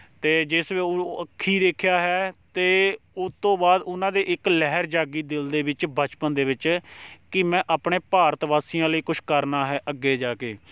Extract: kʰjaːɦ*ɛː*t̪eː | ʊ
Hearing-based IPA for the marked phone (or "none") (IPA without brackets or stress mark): ɛː